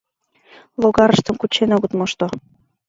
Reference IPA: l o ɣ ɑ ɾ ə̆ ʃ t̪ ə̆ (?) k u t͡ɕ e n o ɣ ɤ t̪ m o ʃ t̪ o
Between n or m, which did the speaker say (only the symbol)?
m